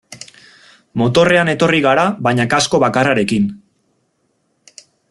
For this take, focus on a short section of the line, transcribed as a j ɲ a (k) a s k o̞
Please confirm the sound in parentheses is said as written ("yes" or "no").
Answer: yes